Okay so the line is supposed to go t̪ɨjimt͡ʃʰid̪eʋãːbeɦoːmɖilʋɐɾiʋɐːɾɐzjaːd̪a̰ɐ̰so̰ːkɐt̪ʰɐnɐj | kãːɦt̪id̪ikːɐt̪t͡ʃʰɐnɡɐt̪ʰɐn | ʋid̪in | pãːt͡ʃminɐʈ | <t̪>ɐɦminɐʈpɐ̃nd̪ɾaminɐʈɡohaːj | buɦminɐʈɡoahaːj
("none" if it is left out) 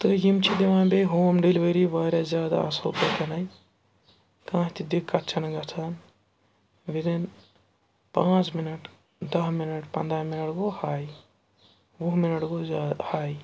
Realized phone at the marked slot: d̪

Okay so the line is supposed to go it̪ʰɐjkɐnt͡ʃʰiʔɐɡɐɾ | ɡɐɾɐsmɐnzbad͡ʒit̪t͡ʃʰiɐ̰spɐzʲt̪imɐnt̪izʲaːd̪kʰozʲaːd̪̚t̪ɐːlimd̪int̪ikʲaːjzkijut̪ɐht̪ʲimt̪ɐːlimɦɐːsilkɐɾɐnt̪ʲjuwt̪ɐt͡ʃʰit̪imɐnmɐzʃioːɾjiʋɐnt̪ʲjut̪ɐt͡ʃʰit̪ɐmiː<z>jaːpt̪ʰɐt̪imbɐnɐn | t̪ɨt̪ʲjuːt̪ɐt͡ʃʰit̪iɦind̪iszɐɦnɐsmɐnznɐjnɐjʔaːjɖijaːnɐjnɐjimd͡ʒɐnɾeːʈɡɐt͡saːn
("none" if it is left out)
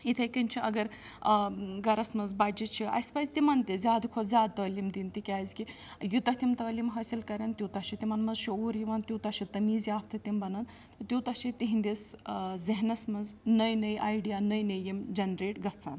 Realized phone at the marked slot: z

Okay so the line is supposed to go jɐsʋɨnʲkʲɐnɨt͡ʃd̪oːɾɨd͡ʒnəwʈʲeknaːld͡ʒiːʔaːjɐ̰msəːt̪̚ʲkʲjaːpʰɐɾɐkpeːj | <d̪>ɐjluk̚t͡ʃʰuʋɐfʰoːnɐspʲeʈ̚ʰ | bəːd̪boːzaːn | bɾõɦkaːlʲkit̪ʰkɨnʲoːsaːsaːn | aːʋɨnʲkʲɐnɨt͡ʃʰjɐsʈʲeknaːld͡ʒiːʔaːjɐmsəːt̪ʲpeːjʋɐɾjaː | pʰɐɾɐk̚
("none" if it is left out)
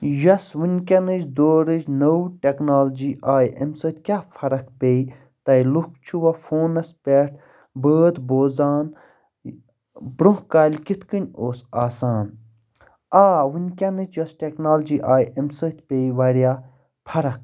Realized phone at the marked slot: t̪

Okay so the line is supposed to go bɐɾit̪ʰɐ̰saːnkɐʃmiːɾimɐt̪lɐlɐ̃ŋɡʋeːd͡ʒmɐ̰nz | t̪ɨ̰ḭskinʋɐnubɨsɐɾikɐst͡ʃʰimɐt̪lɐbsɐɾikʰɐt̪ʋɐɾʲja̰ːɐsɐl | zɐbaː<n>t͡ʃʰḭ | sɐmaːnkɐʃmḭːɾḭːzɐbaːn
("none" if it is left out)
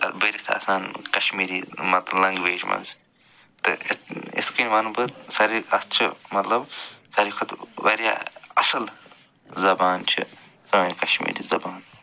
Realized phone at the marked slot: n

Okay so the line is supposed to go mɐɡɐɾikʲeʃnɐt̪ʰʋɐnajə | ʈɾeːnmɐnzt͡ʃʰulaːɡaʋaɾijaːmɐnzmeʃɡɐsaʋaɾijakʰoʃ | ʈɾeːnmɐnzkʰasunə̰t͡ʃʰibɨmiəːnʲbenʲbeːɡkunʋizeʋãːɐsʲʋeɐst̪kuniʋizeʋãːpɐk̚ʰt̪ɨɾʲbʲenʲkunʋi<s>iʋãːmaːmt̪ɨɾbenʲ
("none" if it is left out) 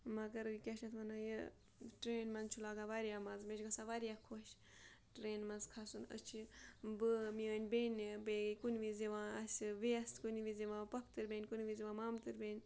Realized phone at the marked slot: z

